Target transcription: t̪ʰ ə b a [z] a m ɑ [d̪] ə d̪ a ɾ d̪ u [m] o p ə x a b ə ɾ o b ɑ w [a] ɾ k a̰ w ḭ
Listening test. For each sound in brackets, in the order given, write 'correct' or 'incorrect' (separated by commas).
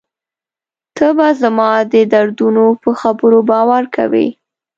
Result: correct, correct, incorrect, correct